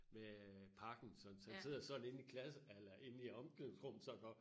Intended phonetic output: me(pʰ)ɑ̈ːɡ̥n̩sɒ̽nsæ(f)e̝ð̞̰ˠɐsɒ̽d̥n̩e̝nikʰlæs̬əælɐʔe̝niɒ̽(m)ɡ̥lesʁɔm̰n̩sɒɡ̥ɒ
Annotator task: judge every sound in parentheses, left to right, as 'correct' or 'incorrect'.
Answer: correct, incorrect, correct

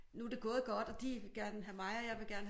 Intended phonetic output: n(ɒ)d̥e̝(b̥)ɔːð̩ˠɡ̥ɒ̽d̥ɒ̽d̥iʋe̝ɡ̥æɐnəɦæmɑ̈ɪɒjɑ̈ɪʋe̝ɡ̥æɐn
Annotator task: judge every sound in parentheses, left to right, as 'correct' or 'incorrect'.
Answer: incorrect, incorrect

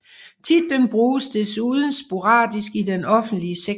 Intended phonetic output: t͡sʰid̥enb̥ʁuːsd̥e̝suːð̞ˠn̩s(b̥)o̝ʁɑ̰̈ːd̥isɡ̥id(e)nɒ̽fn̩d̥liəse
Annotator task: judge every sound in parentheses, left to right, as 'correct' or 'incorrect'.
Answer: correct, correct

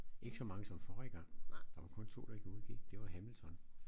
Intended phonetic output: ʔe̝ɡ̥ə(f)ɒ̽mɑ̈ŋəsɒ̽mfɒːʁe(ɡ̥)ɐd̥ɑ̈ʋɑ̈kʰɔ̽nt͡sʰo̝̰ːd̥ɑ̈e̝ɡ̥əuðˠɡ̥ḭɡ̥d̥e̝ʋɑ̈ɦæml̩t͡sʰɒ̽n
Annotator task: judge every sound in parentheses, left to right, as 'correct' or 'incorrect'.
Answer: incorrect, correct

